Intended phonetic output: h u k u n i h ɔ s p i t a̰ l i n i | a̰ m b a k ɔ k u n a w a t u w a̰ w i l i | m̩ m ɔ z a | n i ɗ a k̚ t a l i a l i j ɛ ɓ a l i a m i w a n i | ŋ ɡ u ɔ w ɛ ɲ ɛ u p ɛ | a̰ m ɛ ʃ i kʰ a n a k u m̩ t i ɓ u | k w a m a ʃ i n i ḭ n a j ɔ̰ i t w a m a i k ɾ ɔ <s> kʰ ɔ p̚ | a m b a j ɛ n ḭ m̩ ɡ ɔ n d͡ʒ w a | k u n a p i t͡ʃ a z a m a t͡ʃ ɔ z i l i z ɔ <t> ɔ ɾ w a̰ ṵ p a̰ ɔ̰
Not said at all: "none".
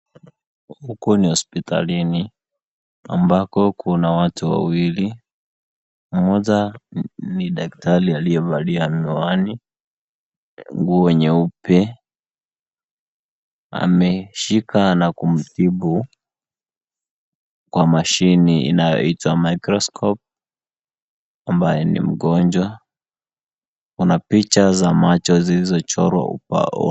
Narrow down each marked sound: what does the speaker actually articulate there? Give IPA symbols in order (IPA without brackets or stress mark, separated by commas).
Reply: s, t͡ʃ